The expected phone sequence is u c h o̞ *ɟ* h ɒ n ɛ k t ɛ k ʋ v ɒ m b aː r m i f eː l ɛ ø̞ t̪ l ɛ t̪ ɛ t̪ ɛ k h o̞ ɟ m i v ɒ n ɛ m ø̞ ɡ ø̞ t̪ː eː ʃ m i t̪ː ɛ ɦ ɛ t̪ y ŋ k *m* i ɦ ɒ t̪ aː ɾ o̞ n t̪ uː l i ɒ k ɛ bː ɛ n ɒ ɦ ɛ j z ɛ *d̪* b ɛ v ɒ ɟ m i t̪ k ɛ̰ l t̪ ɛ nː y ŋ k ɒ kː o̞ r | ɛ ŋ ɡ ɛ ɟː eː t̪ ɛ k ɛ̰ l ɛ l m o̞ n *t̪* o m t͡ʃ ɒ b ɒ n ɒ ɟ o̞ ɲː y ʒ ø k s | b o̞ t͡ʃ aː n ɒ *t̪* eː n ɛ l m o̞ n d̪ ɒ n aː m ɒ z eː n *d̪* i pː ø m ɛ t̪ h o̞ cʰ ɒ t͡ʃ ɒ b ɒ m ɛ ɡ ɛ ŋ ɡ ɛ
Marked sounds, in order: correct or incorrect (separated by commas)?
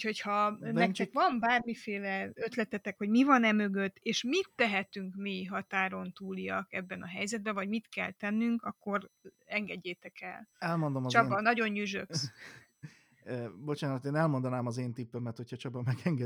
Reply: incorrect, correct, correct, incorrect, correct, incorrect